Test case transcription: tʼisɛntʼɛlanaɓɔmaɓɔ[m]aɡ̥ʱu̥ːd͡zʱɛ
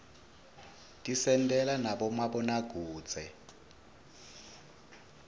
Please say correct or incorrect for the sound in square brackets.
incorrect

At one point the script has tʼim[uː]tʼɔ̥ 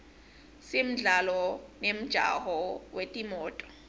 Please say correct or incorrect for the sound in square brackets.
incorrect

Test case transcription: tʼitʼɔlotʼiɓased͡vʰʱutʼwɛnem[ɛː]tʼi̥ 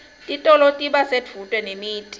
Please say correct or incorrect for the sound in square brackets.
incorrect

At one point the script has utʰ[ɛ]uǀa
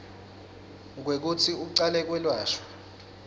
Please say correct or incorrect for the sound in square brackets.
incorrect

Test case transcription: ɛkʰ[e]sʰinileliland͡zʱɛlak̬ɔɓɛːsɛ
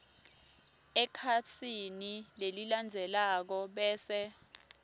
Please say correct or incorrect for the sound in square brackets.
incorrect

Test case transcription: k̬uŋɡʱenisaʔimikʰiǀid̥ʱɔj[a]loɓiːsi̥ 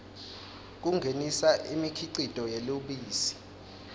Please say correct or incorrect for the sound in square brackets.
incorrect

